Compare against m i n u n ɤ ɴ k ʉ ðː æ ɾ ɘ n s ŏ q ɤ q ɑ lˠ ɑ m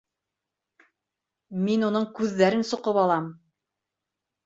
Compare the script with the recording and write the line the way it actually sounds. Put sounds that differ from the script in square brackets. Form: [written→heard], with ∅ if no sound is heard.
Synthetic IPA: m i n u n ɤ ɴ k ʉ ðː æ ɾ ɘ n s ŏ q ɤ [q→p] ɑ lˠ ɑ m